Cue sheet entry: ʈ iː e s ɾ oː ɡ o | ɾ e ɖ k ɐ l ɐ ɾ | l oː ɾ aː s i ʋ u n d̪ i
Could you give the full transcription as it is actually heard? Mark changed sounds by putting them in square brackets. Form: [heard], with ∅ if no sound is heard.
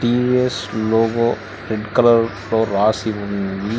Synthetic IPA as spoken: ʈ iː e s [l] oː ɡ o | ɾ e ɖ k ɐ l ɐ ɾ | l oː ɾ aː s i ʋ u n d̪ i